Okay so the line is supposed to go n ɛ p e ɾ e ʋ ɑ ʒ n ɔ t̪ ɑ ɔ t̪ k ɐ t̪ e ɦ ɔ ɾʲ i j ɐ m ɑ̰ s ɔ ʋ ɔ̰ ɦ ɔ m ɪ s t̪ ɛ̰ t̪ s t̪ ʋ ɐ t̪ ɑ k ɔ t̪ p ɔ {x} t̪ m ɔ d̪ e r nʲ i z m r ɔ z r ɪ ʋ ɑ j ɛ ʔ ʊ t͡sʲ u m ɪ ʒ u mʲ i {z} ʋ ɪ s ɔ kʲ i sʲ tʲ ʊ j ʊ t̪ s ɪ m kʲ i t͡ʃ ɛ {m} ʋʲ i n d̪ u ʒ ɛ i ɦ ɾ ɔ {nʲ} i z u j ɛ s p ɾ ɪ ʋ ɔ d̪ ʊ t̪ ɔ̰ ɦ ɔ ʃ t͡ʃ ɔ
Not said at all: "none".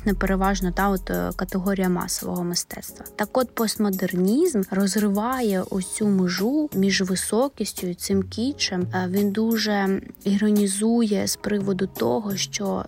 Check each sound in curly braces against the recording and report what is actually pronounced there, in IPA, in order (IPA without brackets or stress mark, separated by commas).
s, ʒ, m, nʲ